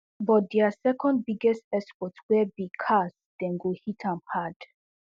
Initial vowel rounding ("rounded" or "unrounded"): rounded